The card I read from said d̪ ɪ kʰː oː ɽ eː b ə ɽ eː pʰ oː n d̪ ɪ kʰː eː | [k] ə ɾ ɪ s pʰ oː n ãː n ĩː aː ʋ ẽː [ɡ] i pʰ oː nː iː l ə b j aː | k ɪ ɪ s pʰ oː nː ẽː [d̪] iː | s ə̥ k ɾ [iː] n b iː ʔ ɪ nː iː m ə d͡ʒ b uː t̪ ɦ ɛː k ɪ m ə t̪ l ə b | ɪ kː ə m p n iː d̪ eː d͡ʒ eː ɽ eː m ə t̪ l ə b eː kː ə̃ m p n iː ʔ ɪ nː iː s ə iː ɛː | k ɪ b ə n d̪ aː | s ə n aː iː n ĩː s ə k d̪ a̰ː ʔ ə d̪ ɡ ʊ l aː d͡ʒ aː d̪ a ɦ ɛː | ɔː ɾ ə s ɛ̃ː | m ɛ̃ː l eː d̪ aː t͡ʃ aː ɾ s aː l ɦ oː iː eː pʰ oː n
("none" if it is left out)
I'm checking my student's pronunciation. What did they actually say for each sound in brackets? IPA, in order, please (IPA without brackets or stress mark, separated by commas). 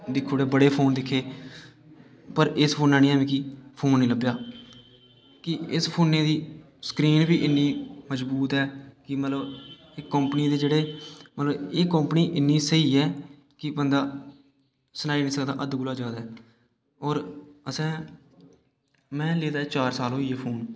p, k, d̪, iː